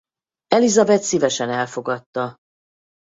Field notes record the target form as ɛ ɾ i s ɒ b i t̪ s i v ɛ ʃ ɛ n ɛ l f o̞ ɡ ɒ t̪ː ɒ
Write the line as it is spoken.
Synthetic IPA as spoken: ɛ l i z ɒ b ɛ t̪ s i v ɛ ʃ ɛ n ɛ l f o̞ ɡ ɒ t̪ː ɒ